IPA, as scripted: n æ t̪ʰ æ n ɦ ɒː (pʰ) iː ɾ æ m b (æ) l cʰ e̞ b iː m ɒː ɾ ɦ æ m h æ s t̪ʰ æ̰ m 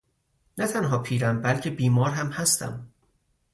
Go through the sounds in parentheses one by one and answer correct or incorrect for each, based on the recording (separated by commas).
correct, correct